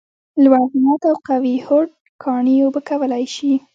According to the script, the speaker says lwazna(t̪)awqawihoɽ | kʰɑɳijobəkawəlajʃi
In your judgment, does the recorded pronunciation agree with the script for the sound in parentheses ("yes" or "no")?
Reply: yes